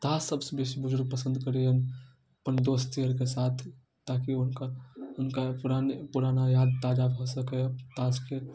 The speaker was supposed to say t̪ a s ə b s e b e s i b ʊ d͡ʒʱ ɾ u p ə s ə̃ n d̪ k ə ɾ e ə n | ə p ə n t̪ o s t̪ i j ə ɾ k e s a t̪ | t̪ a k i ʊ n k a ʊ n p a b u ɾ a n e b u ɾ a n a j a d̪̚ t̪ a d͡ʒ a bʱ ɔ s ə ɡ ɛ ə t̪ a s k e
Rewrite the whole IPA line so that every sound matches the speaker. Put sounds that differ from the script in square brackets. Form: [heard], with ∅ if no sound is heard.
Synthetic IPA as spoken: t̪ a s ə b s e b e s i b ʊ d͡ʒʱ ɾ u p ə s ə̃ n d̪ k ə ɾ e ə n | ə p ə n [d̪] o s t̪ i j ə ɾ k e s a [t̪ʰ] | t̪ a k i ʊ n k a ʊ n [k] a [p] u ɾ a n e [p] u ɾ a n a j a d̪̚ t̪ a d͡ʒ a bʱ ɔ s ə [k] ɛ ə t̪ a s k e